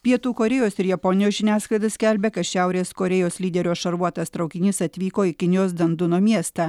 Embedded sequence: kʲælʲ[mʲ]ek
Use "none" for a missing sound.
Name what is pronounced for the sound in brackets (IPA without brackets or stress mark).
bʲ